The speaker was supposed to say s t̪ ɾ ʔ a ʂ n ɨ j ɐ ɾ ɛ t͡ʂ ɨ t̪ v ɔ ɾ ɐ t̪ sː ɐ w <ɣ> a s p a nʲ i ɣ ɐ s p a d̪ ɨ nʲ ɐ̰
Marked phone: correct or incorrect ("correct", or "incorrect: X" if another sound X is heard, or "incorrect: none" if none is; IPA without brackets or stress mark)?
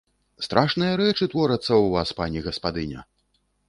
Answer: incorrect: v